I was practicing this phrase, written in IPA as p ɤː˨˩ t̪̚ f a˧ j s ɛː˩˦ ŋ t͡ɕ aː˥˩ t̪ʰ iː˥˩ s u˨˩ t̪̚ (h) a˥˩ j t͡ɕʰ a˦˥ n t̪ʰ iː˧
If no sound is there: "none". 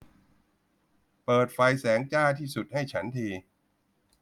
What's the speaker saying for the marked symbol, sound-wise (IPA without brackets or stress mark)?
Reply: h